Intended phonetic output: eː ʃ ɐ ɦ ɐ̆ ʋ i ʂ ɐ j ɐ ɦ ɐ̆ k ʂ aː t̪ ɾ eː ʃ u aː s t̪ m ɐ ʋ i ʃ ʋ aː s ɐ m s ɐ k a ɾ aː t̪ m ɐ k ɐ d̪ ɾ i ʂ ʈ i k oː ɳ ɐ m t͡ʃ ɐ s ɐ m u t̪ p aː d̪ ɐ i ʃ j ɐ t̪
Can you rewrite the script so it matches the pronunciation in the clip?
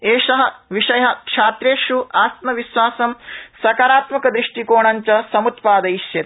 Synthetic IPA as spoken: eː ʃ ɐ ɦ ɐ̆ ʋ i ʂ ɐ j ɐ ɦ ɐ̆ k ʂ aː t̪ ɾ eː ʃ u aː s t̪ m ɐ ʋ i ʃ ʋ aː s ɐ m s ɐ k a ɾ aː t̪ m ɐ k ɐ d̪ ɾ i ʂ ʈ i k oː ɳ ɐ ɲ t͡ʃ ɐ s ɐ m u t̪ p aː d̪ ɐ i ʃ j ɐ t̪